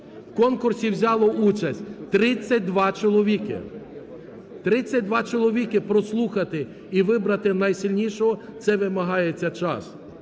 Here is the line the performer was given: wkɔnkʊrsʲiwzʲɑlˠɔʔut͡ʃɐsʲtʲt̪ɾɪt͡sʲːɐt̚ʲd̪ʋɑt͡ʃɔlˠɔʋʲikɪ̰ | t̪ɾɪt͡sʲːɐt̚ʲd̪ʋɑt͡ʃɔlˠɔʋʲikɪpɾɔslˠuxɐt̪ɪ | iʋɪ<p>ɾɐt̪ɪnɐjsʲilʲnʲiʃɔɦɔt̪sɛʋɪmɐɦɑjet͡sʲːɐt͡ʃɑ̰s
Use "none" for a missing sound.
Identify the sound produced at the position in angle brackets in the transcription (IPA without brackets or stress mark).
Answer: b